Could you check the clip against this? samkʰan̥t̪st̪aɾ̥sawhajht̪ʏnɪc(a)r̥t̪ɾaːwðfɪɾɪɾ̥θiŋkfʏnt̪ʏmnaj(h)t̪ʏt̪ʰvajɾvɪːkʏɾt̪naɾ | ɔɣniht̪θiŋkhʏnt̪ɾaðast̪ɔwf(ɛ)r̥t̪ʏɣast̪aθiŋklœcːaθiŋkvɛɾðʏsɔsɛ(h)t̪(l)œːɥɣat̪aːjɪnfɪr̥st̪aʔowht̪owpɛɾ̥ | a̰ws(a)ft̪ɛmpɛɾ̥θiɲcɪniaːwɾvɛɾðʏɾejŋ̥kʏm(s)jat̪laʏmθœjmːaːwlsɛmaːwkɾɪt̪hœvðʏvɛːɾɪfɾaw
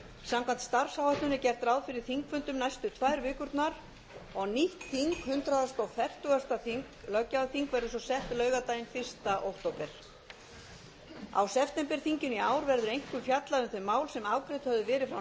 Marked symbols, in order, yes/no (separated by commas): no, no, yes, yes, yes, no, no